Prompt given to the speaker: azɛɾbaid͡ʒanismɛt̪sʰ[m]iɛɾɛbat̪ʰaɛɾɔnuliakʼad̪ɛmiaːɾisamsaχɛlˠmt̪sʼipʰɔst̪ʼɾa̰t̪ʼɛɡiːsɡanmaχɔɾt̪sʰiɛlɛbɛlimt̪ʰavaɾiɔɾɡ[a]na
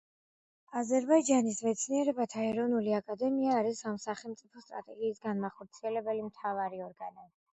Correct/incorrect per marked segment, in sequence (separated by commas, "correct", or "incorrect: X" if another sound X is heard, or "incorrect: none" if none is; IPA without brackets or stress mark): incorrect: n, correct